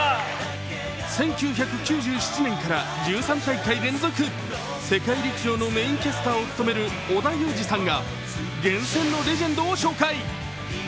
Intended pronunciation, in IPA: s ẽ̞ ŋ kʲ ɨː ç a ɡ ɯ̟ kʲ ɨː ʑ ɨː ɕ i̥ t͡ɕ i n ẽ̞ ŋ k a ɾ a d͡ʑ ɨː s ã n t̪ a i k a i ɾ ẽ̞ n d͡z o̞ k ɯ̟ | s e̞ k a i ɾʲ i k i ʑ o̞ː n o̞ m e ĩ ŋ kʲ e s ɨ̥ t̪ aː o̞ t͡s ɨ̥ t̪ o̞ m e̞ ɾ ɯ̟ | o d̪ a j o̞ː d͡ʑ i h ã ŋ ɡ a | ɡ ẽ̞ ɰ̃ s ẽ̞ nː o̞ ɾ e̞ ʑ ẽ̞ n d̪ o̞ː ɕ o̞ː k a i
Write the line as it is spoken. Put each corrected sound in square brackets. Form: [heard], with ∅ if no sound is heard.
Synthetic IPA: s ẽ̞ ŋ kʲ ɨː ç a [k] ɯ̟ kʲ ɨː ʑ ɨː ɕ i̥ t͡ɕ i n ẽ̞ ŋ k a ɾ a d͡ʑ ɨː s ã n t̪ a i k a i ɾ ẽ̞ n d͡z o̞ k ɯ̟ | s e̞ k a i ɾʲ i k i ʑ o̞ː n o̞ m e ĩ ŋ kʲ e s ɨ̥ t̪ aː o̞ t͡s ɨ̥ t̪ o̞ m e̞ ɾ ɯ̟ | o d̪ a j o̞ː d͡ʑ i [s] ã ŋ ɡ a | ɡ ẽ̞ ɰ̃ s ẽ̞ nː o̞ ɾ e̞ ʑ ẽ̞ n d̪ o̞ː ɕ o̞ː k a i